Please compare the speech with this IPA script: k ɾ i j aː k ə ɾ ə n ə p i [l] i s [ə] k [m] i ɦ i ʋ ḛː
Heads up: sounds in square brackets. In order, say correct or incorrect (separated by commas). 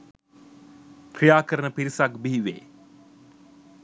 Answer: incorrect, incorrect, incorrect